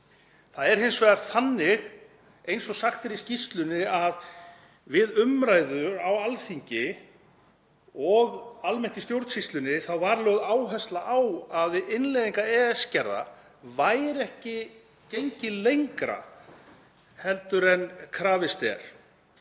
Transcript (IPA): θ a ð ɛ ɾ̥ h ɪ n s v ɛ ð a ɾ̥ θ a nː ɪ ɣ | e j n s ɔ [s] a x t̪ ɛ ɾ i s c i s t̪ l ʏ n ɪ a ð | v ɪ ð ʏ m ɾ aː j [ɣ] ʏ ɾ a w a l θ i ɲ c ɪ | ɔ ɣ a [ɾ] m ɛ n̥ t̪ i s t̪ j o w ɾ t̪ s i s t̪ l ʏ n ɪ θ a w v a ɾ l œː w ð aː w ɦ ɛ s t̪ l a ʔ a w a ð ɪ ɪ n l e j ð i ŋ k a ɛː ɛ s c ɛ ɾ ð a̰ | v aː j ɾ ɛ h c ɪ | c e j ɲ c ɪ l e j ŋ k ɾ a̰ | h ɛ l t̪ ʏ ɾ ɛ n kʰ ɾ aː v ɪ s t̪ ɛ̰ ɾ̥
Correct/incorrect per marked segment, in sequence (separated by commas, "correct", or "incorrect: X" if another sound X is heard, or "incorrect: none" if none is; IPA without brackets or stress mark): correct, incorrect: ð, incorrect: l